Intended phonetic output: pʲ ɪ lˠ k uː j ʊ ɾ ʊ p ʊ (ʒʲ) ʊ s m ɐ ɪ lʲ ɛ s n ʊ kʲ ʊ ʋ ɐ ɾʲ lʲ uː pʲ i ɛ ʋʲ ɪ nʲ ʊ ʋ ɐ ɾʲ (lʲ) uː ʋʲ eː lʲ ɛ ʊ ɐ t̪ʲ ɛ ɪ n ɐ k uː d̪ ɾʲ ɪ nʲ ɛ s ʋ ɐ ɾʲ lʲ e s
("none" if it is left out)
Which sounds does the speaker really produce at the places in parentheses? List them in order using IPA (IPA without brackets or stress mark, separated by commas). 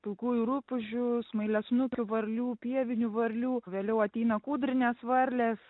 ʒʲ, lʲ